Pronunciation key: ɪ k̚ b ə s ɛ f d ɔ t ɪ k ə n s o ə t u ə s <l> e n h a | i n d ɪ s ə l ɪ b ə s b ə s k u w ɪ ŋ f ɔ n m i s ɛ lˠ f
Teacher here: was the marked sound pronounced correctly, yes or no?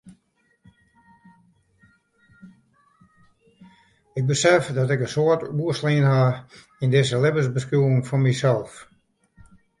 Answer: yes